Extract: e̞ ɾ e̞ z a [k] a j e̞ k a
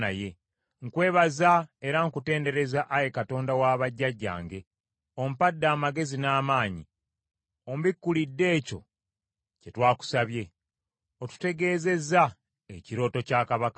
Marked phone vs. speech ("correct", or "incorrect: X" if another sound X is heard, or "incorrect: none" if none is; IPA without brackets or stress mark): incorrect: ʔ